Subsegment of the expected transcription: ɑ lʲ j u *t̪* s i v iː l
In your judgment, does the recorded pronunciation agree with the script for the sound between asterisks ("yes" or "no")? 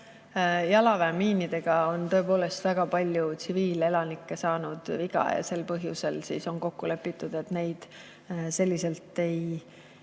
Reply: yes